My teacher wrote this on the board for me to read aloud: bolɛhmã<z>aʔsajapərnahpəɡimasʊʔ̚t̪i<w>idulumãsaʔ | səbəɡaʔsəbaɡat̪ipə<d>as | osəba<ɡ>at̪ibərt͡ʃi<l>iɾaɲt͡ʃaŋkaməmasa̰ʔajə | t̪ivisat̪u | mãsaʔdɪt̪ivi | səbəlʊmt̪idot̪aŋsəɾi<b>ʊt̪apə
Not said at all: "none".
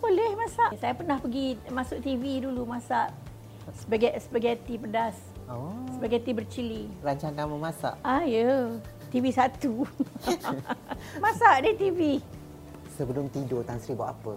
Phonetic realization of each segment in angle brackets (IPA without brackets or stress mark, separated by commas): s, v, d, ɡ, l, b